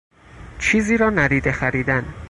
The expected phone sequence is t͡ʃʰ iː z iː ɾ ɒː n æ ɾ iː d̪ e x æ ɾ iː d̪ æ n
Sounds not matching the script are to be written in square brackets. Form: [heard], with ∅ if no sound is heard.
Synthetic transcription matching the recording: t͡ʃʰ iː z iː ɾ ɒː n æ ɾ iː d̪ e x æ ɾ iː d̪ æ n